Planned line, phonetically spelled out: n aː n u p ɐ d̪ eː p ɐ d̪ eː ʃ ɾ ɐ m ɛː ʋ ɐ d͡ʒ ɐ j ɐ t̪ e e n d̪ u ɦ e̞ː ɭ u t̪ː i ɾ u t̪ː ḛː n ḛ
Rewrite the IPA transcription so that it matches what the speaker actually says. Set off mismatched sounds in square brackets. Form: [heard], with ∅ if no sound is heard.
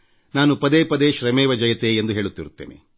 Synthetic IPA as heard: n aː n u p ɐ d̪ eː p ɐ d̪ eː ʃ ɾ ɐ m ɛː ʋ ɐ d͡ʒ ɐ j ɐ t̪ e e n d̪ u ɦ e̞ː ɭ u t̪ː i ɾ u t̪ː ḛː n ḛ